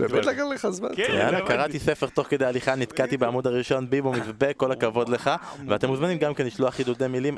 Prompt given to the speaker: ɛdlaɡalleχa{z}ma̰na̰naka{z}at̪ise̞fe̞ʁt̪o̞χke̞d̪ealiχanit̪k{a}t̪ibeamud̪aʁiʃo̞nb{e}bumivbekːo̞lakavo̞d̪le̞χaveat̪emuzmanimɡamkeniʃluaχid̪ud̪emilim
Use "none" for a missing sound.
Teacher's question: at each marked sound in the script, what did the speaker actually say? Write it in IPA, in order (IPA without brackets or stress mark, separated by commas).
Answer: z, ʁ, a, i